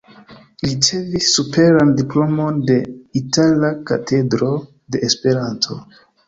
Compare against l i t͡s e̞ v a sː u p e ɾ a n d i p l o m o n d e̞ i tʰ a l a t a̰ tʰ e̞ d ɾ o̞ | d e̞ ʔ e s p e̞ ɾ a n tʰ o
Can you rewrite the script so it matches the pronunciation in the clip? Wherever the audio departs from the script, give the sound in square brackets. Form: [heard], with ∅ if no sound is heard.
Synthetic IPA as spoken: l i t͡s e̞ v [i] sː u p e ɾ a n d i p l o m o n d e̞ i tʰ a l a [k] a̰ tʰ e̞ d ɾ o̞ | d e̞ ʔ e s p e̞ ɾ a n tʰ o